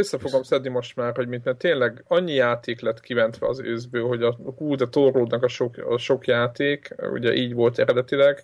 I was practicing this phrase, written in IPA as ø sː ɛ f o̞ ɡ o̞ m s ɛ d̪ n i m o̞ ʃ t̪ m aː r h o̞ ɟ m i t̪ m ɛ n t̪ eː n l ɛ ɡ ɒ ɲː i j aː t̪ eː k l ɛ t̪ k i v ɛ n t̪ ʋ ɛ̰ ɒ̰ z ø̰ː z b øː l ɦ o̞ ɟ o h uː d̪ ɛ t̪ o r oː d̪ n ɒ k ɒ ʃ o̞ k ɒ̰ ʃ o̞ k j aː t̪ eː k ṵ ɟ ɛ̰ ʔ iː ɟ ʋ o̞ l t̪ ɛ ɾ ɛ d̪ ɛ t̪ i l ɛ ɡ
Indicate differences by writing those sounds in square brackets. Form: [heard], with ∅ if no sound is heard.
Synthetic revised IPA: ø sː ɛ f o̞ ɡ o̞ m s ɛ d̪ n i m o̞ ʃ t̪ m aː r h o̞ ɟ m i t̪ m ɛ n t̪ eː n l ɛ ɡ ɒ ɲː i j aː t̪ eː k l ɛ t̪ k i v ɛ n t̪ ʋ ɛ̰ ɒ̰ z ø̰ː z b øː l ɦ o̞ ɟ [ɒ] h uː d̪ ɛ t̪ o r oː d̪ n ɒ k ɒ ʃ o̞ k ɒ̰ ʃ o̞ k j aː t̪ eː k ṵ ɟ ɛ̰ ʔ iː ɟ ʋ o̞ l t̪ ɛ ɾ ɛ d̪ ɛ t̪ i l ɛ ɡ